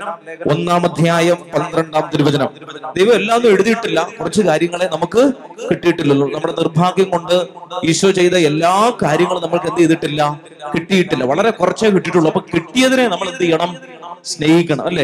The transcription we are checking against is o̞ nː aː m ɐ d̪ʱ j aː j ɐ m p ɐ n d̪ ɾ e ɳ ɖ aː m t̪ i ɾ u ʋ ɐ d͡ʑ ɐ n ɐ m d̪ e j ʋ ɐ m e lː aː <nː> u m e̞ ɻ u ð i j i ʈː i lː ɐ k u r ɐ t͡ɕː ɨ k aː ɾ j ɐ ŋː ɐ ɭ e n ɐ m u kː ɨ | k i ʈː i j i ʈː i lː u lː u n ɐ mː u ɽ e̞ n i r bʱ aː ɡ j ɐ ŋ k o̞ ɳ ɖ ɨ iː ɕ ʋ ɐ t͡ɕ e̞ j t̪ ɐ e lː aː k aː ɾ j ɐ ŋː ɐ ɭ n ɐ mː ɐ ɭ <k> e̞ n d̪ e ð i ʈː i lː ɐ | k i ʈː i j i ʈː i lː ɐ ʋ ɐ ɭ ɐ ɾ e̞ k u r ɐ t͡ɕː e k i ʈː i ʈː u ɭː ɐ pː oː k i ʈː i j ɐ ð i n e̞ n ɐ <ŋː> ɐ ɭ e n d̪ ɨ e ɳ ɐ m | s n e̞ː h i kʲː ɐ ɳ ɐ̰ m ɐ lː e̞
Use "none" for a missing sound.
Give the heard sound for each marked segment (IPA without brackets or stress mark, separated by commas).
nː, k, mː